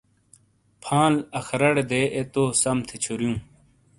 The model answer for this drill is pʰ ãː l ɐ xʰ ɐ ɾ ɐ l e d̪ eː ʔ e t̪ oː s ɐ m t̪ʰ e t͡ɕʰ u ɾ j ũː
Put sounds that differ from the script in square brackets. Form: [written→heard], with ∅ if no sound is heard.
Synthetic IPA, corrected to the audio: pʰ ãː l ɐ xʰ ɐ ɾ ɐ [l→ɽ] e d̪ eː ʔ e t̪ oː s ɐ m t̪ʰ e t͡ɕʰ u ɾ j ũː